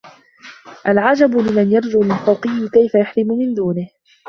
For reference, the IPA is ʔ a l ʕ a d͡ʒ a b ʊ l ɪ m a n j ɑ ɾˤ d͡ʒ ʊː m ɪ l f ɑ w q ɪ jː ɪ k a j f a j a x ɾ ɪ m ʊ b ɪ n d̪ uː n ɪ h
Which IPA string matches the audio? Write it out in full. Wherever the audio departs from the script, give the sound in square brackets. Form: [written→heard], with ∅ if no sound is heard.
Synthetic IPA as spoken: ʔ a l ʕ a d͡ʒ a b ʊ l ɪ m a n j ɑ ɾˤ d͡ʒ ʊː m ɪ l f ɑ w q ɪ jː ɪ k a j f a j a [x→ħ] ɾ ɪ m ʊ [b→m] ɪ n d̪ uː n ɪ h